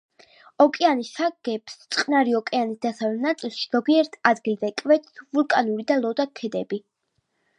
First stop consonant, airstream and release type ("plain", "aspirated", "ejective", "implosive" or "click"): ejective